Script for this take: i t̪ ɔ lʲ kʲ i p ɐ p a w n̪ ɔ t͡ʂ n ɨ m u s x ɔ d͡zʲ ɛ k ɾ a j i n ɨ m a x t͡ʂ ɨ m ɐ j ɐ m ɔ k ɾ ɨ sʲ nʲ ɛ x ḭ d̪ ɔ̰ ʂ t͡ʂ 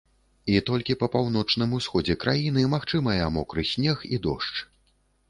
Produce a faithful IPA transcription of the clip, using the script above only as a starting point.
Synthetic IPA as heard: i t̪ ɔ lʲ kʲ i p ɐ p a w n̪ ɔ t͡ʂ n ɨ m u s x ɔ d͡zʲ ɛ k ɾ a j i n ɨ m a x t͡ʂ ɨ m ɐ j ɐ m ɔ k ɾ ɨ sʲ nʲ ɛ x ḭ d̪ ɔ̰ ʂ t͡ʂ